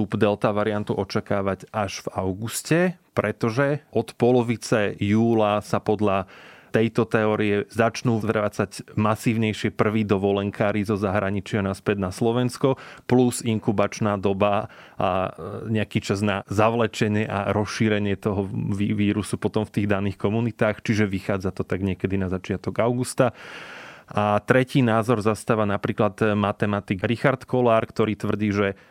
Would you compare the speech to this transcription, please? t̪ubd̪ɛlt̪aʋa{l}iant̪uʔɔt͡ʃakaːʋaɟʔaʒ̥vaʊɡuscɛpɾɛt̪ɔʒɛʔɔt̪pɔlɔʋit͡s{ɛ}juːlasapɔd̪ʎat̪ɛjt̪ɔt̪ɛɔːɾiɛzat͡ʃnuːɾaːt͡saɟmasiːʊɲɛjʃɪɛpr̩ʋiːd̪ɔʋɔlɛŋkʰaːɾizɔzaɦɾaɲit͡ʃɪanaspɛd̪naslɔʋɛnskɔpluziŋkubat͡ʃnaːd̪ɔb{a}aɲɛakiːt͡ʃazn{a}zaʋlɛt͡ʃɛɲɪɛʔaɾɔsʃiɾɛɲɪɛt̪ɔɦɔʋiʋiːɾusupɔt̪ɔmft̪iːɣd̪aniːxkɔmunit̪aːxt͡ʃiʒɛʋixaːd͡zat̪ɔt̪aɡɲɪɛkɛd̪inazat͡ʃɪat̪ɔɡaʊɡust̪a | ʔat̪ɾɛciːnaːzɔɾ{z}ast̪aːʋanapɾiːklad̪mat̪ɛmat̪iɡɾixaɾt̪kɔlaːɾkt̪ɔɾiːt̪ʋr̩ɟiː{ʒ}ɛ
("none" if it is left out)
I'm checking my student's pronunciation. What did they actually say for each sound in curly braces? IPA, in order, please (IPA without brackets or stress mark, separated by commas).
ɾ, ɛ, a, a, z, ʒ